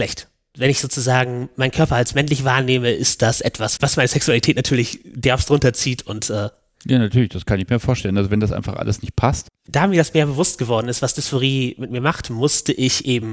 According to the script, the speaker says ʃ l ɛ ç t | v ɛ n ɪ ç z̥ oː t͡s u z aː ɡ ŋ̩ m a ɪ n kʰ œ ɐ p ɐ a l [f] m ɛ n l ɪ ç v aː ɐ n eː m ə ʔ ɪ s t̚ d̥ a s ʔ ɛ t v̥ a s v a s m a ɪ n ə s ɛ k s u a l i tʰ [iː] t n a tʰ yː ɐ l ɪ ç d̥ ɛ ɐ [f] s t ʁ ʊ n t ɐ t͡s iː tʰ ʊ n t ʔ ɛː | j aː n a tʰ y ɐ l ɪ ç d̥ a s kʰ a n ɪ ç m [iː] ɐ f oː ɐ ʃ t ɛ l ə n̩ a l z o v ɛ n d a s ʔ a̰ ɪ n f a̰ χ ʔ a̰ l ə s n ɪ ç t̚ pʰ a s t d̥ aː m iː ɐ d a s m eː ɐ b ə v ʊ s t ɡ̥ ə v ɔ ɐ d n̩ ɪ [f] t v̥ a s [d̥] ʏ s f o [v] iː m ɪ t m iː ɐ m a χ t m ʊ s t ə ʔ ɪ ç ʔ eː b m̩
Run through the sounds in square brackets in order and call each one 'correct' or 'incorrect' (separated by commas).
incorrect, incorrect, correct, correct, incorrect, correct, incorrect